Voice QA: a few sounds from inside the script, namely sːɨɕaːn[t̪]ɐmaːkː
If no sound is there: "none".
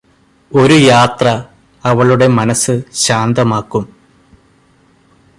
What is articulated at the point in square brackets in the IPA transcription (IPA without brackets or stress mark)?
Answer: d̪